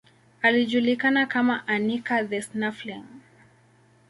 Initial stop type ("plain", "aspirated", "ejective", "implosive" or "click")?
implosive